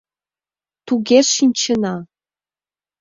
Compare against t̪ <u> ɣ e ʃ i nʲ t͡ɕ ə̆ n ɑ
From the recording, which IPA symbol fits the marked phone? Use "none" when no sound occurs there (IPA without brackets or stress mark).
u